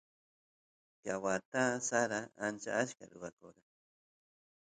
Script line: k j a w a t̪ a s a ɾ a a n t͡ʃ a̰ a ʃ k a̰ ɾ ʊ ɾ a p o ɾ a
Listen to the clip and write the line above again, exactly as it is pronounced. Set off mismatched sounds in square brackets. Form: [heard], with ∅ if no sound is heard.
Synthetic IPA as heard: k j a w a t̪ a s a ɾ a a n t͡ʃ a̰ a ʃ k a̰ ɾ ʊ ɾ a [k] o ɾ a